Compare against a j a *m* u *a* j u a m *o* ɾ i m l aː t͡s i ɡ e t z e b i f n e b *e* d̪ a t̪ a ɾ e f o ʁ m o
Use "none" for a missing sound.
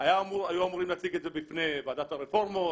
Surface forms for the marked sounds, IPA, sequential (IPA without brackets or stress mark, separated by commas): m, a, u, a